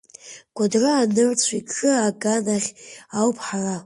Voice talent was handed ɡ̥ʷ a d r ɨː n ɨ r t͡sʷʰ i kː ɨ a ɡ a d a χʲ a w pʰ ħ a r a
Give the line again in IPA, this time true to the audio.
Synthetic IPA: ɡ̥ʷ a d r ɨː n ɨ r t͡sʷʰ i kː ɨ a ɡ a n a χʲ a w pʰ ħ a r a

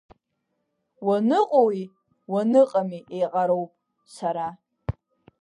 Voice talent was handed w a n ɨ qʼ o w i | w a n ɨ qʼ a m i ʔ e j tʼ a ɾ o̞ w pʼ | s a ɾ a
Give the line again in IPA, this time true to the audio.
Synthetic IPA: w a n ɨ qʼ o w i | w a n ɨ qʼ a m i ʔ e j qʼ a ɾ o̞ w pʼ | s a ɾ a

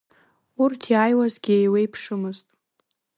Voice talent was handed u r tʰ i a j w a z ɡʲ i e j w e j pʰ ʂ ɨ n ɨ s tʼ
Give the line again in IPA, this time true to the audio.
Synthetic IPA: u r tʰ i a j w a z ɡʲ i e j w e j pʰ ʂ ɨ m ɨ z tʼ

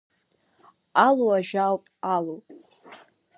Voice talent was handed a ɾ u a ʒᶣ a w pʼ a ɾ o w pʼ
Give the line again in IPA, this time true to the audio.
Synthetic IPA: a l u a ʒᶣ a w pʼ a l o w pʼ

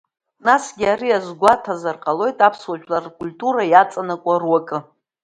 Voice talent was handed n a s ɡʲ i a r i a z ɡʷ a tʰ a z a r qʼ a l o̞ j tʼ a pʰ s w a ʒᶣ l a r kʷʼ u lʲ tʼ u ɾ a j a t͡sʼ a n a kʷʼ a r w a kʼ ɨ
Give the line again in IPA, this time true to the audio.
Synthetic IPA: n a s ɡʲ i a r i a z ɡʷ a tʰ a z a r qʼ a l o̞ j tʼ a pʰ s w a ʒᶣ l a r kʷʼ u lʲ tʼ u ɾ a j a t͡sʼ a n a kʷʼ a r w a kʼ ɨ

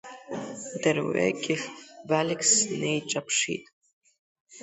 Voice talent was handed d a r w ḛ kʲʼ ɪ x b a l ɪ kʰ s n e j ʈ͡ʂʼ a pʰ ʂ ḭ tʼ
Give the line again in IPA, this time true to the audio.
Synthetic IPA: d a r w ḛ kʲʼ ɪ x b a l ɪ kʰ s n e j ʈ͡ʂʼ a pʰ ʂ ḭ tʼ

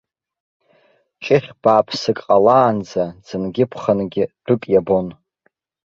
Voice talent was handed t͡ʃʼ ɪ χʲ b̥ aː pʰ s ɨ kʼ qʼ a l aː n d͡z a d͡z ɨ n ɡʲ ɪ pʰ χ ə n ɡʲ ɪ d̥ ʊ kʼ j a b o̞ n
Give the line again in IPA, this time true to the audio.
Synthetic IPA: t͡ʃʼ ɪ χʲ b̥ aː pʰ s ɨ kʼ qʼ a l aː n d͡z a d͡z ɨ n ɡʲ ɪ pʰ χ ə n ɡʲ ɪ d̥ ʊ kʼ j a b o̞ n

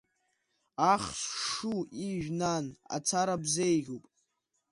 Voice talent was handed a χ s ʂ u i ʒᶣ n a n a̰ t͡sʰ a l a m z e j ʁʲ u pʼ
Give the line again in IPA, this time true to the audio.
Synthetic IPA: a χ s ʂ u i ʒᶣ n a n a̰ t͡sʰ a ɾ a b z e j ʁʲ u pʼ

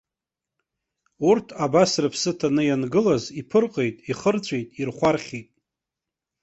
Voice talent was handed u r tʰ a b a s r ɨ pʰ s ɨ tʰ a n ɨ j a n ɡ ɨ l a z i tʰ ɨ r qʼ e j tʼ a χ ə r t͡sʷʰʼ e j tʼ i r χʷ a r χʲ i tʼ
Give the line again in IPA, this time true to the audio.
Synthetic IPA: u r tʰ a b a s r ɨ pʰ s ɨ tʰ a n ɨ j a n ɡ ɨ l a z i pʰ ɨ r qʼ e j tʼ i χ ə r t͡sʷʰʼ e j tʼ i r χʷ a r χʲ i tʼ

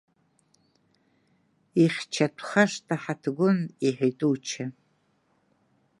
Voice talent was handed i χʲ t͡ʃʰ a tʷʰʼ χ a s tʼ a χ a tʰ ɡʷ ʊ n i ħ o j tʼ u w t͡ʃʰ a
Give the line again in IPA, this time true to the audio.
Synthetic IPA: i χʲ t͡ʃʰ a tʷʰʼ χ a ʂ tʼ a ħ a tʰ ɡʷ ʊ n i ħ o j tʼ u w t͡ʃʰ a

